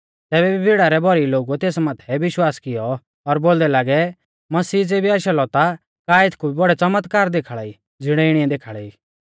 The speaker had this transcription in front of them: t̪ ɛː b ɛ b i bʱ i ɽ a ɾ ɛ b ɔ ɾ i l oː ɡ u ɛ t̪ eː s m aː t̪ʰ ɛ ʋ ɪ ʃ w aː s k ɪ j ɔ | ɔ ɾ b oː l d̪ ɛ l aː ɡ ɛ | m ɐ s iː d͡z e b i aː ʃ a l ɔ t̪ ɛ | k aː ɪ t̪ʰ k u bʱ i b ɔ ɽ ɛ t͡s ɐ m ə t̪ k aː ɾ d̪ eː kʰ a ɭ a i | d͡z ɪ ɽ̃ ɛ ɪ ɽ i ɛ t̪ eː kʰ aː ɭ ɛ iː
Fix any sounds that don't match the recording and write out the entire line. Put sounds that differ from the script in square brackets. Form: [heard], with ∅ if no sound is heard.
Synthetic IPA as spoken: t̪ ɛː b ɛ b i bʱ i ɽ a ɾ ɛ b ɔ ɾ i l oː ɡ u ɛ t̪ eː s m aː t̪ʰ ɛ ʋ ɪ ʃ w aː s k ɪ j ɔ | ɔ ɾ b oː l d̪ ɛ l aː ɡ ɛ | m ɐ s iː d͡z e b i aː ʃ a l ɔ t̪ [a] | k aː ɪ t̪ʰ k u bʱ i b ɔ ɽ ɛ t͡s ɐ m ə t̪ k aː ɾ d̪ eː kʰ a ɭ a i | d͡z ɪ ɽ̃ ɛ ɪ ɽ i ɛ [d̪] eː kʰ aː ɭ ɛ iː